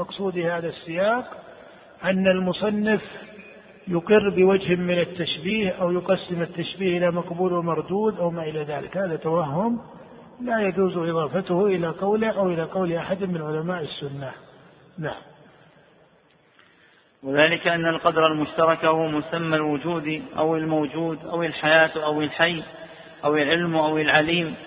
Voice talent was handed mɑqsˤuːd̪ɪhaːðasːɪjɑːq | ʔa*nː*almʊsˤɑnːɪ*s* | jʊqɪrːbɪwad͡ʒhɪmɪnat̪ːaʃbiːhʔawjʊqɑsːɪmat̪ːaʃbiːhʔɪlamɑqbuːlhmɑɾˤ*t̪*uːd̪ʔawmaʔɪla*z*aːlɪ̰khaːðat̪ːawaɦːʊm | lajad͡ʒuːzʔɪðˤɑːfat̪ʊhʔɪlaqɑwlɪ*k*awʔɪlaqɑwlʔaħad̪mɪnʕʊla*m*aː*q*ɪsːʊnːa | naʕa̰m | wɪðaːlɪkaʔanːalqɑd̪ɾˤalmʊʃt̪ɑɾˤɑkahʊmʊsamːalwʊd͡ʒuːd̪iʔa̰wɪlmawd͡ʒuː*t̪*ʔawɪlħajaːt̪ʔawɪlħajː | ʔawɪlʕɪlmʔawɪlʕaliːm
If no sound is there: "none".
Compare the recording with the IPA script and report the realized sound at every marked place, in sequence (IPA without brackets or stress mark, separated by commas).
nː, f, d̪, ð, ʔ, m, ʔ, d̪